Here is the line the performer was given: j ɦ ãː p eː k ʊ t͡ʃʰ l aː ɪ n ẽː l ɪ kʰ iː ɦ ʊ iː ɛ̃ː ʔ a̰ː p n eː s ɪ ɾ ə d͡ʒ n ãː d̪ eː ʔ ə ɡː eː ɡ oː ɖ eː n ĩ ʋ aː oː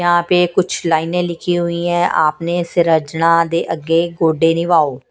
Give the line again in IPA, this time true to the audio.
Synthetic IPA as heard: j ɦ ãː p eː k ʊ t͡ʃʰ l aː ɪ n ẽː l ɪ kʰ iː ɦ ʊ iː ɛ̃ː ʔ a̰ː p n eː s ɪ ɾ ə d͡ʒ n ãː d̪ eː ʔ ə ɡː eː ɡ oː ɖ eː n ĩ ʋ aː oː